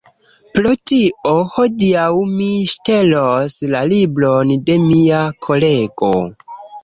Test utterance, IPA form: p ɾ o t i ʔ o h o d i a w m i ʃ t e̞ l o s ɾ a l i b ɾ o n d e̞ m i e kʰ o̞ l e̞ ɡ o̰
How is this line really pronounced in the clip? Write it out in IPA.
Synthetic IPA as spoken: p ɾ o t i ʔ o h o d i a w m i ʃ t e̞ l o s l a l i b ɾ o n d e̞ m i a kʰ o̞ l e̞ ɡ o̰